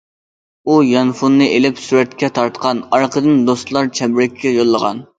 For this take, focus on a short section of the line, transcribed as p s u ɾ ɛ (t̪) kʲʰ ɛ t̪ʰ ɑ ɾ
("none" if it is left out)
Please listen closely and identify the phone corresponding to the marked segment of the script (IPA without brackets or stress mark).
t̪